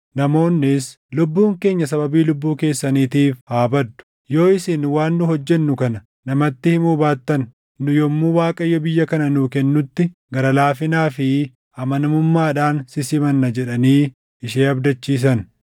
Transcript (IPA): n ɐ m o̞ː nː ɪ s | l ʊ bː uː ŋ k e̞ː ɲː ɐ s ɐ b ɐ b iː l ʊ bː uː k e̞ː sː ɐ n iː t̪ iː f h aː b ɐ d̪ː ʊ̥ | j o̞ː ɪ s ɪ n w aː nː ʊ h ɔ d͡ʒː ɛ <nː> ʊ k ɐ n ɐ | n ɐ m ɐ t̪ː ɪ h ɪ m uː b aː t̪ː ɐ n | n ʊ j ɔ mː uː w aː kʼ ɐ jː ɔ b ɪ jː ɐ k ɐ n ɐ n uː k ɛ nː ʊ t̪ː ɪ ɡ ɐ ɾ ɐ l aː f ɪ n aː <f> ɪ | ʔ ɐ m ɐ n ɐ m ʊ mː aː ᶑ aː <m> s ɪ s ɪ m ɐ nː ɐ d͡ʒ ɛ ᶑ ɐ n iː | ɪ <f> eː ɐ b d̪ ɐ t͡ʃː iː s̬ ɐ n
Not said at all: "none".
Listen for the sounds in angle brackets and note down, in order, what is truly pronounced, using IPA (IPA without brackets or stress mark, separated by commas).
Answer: nː, f, n, ʃ